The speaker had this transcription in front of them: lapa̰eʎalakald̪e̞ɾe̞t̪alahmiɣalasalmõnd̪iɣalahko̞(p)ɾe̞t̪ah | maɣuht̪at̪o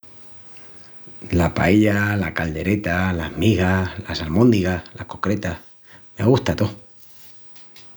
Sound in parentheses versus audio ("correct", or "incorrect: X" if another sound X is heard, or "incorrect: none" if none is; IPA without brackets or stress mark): incorrect: k